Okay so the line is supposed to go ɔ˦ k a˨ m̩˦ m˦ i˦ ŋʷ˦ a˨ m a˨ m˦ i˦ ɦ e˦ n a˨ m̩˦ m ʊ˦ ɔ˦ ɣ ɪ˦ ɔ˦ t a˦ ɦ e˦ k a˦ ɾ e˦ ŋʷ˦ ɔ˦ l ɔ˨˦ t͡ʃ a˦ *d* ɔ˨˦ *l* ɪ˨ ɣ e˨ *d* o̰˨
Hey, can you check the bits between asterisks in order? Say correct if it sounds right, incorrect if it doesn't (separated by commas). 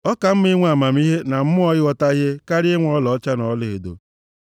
incorrect, correct, correct